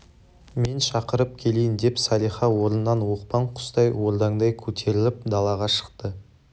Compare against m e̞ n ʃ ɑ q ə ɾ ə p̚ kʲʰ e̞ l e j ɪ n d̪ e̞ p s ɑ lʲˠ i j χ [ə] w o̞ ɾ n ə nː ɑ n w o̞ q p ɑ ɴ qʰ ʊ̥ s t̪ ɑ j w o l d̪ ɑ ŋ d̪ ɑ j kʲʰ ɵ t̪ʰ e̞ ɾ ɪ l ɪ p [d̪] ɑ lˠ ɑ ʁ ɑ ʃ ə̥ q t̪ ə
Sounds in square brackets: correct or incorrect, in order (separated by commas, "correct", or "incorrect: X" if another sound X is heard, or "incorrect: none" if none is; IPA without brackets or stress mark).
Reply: incorrect: ɑ, correct